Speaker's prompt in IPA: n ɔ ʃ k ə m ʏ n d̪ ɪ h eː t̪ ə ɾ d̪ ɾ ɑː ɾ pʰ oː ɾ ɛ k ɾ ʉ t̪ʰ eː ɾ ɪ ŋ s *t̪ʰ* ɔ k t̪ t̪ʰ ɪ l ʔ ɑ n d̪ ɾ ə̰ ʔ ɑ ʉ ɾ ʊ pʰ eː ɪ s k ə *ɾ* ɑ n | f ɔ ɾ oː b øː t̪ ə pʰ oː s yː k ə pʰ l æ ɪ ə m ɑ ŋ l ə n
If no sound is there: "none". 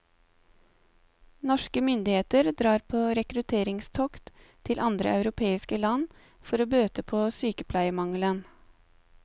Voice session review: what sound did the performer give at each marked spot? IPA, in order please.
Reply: t̪ʰ, l

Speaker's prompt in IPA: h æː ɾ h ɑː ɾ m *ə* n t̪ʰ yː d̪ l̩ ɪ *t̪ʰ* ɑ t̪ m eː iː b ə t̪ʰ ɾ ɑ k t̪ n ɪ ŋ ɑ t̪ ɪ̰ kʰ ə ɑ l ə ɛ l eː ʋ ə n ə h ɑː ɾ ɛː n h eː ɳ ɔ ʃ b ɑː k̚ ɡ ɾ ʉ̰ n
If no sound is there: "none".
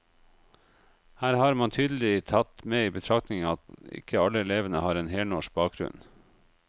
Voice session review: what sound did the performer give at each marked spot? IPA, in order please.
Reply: ɑ, t̪ʰ

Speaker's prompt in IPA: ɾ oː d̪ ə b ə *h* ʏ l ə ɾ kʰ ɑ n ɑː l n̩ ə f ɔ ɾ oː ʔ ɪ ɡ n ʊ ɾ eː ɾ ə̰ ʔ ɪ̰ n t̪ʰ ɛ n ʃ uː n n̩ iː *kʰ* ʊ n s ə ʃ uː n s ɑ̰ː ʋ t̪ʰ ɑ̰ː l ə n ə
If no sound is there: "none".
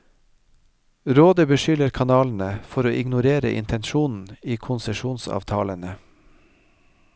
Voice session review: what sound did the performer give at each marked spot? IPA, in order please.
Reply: ʃ, kʰ

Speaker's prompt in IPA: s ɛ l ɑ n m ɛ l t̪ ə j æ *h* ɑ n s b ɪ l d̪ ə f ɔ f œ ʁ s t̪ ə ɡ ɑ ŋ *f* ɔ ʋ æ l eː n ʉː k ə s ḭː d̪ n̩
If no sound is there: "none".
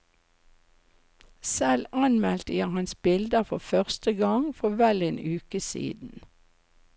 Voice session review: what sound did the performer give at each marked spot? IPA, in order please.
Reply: h, f

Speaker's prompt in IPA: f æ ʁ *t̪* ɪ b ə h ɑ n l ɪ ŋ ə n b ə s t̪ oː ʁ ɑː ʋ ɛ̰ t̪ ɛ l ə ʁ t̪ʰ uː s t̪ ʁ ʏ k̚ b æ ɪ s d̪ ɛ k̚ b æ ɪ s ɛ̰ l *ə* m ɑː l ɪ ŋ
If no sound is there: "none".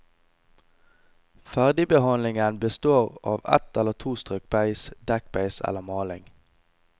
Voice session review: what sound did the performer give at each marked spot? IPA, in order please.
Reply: d̪, ə

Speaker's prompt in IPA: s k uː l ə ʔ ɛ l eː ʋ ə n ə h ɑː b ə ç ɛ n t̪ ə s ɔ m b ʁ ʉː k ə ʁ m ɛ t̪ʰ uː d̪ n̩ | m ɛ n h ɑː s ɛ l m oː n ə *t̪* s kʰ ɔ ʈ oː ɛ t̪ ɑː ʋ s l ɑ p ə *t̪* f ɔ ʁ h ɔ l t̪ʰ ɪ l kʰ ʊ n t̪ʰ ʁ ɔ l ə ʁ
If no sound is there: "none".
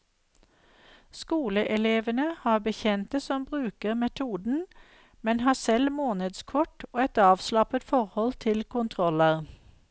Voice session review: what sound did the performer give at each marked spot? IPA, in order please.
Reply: d̪, t̪

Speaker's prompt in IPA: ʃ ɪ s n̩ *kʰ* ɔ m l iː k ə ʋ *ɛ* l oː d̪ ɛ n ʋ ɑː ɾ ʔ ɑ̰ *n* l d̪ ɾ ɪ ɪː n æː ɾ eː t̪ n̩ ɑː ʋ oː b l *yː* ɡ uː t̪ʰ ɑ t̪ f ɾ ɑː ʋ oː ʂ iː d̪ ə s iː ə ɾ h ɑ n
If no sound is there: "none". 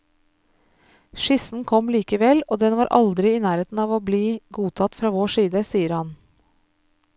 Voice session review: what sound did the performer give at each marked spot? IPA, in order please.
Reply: kʰ, ɛ, none, iː

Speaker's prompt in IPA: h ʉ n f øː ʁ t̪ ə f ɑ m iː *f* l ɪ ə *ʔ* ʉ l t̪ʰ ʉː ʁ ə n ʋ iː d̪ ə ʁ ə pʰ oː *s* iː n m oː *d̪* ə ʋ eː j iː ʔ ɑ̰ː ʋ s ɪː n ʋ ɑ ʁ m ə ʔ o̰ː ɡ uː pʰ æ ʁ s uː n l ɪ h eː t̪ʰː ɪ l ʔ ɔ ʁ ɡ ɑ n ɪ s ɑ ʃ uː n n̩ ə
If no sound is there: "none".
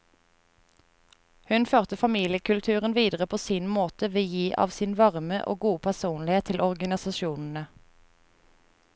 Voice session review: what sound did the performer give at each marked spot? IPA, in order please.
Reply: none, k, s, t̪

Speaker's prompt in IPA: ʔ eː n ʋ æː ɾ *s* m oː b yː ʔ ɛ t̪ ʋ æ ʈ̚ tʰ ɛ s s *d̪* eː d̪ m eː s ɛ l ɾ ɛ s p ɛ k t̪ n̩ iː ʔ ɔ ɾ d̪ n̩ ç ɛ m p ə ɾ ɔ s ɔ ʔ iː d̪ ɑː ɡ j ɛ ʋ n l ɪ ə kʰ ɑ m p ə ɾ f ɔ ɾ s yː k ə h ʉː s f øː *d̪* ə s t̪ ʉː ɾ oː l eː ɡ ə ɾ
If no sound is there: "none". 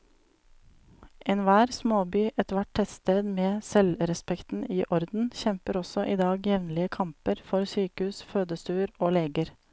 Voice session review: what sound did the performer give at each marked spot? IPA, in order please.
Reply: s, t̪, d̪

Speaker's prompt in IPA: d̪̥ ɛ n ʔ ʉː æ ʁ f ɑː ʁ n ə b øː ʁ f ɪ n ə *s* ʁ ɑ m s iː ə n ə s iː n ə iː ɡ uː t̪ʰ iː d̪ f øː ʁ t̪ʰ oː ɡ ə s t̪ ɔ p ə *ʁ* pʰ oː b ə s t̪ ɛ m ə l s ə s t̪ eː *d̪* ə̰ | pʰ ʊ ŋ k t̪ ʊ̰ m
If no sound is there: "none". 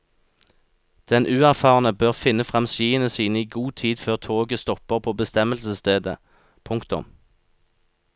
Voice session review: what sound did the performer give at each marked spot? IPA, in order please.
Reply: f, ʁ, d̪

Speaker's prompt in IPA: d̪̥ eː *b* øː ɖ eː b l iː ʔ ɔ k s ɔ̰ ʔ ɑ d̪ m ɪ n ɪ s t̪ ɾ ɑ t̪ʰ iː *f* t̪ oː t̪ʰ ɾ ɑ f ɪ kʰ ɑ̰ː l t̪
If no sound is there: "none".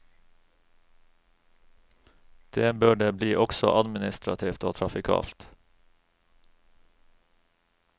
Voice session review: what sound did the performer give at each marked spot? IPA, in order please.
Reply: b, f

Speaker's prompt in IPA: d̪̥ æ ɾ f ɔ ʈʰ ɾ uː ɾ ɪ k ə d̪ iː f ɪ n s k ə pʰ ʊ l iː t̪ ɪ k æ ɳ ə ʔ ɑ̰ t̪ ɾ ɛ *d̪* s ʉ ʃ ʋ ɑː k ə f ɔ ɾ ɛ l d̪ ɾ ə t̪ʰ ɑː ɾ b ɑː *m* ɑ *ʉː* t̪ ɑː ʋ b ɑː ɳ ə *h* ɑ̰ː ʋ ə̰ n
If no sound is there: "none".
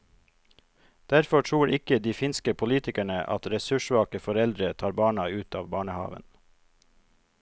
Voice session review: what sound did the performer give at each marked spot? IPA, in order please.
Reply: none, ɳ, ʉː, h

